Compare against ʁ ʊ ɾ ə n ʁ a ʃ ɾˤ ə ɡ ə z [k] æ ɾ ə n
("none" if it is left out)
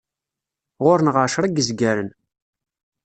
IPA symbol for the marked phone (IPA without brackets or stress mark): ɡ